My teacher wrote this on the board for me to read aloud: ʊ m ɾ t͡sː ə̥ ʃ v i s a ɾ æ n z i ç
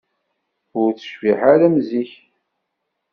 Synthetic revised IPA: ʊ ɾ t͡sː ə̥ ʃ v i ħ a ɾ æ m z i ç